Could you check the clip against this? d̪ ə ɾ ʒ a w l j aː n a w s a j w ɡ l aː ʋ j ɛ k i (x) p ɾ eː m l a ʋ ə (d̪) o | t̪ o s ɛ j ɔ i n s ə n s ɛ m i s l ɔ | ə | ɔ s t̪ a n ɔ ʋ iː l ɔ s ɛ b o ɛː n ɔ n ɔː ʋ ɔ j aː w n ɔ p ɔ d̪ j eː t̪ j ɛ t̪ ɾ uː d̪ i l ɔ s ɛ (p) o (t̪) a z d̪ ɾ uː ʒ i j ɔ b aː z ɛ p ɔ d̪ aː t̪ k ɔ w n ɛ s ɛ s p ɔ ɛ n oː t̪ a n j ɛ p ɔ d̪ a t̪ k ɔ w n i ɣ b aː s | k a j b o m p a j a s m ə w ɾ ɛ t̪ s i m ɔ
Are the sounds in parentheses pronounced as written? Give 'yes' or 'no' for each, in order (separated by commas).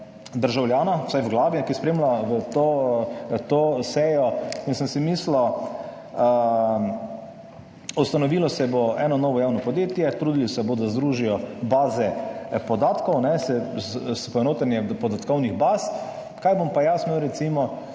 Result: no, no, no, no